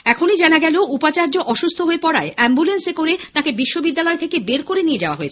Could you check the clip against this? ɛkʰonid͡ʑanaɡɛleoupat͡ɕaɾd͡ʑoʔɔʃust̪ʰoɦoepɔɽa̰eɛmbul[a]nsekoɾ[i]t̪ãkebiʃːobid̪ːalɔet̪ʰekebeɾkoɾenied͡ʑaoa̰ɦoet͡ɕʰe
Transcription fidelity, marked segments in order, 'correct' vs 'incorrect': incorrect: e, incorrect: e

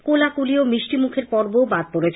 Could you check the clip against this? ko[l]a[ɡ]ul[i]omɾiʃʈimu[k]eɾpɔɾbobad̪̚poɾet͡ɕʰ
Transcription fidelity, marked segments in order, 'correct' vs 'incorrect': correct, incorrect: k, correct, incorrect: kʰ

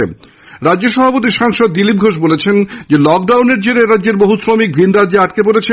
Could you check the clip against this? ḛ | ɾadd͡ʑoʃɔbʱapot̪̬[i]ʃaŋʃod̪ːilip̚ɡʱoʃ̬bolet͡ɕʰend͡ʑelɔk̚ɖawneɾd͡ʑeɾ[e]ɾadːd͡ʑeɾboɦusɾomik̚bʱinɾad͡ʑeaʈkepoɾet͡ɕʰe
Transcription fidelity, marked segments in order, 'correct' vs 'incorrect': correct, correct

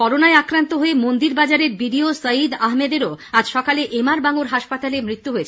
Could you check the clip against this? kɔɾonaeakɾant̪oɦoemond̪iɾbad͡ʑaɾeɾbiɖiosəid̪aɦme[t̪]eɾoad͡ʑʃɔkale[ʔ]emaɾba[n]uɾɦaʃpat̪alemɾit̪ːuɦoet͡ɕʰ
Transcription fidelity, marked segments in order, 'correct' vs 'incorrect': incorrect: d̪, correct, incorrect: ŋ

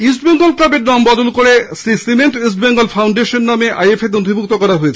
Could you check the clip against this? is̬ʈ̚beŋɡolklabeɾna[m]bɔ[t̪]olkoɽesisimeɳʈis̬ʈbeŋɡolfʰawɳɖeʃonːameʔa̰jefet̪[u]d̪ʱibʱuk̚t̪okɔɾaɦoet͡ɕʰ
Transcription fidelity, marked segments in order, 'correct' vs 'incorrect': correct, incorrect: d̪, incorrect: o

